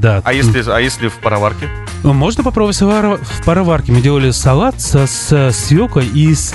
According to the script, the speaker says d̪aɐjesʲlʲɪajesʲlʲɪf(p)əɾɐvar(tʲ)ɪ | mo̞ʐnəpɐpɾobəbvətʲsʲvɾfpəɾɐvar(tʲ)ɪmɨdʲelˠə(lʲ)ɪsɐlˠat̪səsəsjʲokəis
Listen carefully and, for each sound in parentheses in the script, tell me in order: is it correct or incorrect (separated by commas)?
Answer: correct, incorrect, incorrect, correct